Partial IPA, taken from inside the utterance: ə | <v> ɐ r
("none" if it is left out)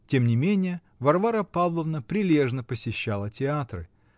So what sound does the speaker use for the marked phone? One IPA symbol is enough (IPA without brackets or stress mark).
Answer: v